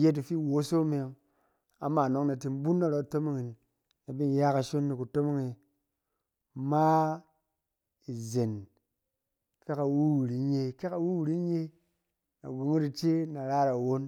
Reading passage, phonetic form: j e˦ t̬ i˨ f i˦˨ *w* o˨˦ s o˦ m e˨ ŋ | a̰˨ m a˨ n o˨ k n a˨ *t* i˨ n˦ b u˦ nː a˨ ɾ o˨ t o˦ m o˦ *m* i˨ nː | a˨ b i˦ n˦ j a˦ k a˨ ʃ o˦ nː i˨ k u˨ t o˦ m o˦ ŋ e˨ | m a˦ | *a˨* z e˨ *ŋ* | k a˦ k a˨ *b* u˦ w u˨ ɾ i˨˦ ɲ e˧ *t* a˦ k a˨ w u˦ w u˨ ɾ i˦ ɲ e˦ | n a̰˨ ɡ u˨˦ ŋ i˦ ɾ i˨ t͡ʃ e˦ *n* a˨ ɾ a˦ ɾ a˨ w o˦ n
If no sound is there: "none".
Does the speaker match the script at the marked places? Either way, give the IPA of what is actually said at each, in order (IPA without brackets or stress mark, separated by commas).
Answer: w, t, ŋ, i˨, n, w, k, n